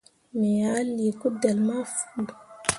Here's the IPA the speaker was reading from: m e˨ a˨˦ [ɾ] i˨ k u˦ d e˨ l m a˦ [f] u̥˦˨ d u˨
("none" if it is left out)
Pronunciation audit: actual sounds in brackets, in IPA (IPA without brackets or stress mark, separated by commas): l, f